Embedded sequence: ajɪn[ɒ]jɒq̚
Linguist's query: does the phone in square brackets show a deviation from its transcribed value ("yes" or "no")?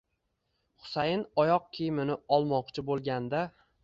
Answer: no